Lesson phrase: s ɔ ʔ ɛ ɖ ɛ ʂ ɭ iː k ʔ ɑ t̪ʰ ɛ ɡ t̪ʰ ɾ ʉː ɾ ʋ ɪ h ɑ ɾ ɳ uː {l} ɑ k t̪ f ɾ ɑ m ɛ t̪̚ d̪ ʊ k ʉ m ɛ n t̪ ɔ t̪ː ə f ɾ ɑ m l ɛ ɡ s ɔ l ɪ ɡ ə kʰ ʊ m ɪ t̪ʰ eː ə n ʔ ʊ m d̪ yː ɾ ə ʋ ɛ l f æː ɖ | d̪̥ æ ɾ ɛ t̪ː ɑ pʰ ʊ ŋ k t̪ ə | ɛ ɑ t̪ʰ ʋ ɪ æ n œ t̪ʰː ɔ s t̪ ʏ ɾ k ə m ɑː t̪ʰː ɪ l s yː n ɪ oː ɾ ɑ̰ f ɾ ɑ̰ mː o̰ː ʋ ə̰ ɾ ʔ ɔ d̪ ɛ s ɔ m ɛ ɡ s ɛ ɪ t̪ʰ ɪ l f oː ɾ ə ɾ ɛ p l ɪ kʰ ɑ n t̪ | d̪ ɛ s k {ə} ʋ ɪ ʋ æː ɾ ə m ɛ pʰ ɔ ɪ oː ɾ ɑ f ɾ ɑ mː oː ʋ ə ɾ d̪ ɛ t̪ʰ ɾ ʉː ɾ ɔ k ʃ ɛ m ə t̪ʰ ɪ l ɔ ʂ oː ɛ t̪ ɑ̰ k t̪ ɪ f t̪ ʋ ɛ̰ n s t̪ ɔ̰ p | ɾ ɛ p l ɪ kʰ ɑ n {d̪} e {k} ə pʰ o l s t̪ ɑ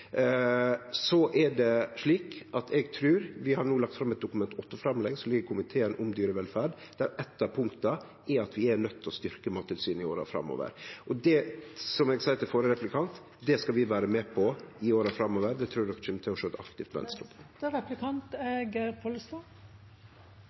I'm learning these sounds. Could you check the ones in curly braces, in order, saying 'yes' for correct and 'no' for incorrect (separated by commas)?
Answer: yes, no, no, no